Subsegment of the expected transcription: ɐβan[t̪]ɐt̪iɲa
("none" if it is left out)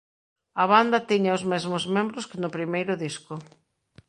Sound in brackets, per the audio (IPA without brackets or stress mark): d̪